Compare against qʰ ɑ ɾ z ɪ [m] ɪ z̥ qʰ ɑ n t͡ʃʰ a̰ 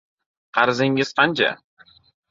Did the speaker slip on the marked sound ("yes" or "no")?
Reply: yes